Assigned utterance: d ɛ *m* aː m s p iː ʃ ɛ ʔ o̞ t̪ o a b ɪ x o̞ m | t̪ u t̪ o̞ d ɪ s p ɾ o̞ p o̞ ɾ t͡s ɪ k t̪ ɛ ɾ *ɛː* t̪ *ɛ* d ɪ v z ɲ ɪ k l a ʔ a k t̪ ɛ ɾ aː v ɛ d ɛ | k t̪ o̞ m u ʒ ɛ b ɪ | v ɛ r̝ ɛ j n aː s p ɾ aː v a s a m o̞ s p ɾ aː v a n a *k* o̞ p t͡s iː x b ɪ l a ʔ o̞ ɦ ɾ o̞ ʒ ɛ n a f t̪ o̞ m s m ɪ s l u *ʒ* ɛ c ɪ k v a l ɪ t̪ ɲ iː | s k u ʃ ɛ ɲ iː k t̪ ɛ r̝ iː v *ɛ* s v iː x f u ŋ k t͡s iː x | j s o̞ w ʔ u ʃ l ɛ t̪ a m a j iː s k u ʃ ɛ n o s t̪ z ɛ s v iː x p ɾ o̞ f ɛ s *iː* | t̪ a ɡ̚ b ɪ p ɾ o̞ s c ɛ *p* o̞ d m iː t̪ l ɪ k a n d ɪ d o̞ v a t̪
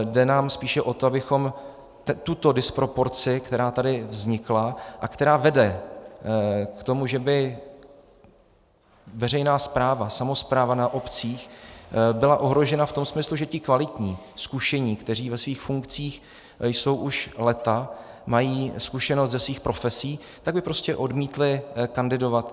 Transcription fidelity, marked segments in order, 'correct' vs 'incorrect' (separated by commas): incorrect, incorrect, incorrect, incorrect, correct, correct, correct, incorrect